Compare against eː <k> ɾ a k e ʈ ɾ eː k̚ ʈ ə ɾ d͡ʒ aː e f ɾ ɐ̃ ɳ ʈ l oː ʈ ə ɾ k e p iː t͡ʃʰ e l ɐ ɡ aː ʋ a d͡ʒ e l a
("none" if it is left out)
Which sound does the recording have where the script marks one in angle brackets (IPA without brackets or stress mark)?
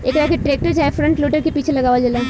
k